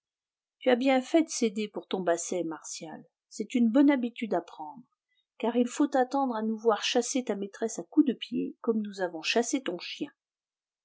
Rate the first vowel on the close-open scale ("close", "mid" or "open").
close